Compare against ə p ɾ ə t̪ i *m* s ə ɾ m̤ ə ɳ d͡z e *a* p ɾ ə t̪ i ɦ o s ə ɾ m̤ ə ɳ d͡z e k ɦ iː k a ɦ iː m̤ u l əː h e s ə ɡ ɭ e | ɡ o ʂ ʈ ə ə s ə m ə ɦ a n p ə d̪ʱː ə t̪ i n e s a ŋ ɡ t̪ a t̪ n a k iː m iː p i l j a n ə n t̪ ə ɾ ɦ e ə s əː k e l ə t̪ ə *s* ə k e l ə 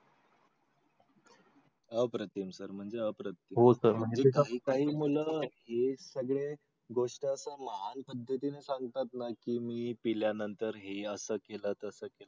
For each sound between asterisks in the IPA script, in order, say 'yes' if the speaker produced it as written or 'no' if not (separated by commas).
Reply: yes, no, yes